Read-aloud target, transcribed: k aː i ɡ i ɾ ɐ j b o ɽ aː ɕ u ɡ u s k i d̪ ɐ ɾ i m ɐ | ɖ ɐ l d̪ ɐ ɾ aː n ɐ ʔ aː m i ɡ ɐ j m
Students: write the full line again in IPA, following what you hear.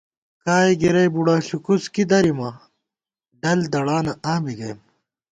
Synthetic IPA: k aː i ɡ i ɾ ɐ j b u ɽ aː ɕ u k u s k i d̪ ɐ ɾ i m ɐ | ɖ ɐ l d̪ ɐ ɽ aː n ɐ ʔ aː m i ɡ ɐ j m